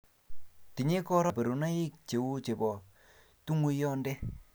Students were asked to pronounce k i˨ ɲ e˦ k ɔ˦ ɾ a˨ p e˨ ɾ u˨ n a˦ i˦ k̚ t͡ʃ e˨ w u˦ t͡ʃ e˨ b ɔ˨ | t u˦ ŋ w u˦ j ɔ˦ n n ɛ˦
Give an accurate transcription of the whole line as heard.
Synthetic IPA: t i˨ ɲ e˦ k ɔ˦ ɾ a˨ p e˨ ɾ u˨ n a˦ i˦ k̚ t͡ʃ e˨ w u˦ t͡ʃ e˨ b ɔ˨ | t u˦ ŋ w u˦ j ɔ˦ n d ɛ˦